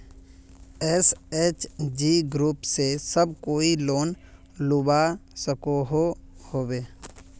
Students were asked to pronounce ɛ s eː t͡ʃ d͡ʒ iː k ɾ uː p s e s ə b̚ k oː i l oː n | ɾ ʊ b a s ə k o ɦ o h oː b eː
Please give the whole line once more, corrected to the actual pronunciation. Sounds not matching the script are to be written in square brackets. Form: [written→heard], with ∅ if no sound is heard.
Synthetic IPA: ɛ s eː t͡ʃ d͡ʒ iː [k→ɡ] ɾ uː p s e s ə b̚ k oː i l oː n | [ɾ→l] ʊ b a s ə k o ɦ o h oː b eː